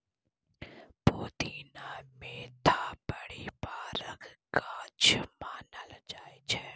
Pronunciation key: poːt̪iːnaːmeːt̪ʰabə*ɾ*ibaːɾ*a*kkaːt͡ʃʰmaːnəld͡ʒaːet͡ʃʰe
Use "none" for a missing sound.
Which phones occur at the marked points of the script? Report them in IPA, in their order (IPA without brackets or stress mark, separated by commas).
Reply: ɽ, ə